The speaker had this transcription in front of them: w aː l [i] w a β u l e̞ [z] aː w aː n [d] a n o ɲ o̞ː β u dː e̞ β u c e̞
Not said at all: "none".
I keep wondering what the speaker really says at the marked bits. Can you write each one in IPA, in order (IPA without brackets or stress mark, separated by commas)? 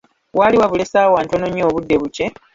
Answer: i, s, t